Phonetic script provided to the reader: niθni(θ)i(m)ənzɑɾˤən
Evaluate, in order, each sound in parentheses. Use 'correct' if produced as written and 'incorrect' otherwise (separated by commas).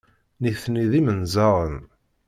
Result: incorrect, correct